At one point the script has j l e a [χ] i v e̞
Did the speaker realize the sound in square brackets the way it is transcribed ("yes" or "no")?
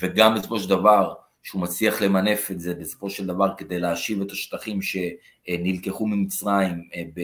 no